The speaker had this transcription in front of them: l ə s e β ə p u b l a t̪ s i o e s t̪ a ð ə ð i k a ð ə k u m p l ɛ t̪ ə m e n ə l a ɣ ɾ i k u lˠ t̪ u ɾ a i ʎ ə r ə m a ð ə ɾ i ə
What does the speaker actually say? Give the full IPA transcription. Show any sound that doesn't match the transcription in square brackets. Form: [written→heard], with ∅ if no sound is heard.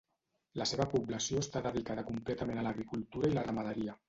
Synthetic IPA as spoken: l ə s e β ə p u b l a [t̪→∅] s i o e s t̪ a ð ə ð i k a ð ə k u m p l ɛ t̪ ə m e n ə l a ɣ ɾ i k u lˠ t̪ u ɾ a i [ʎ→l] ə r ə m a ð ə ɾ i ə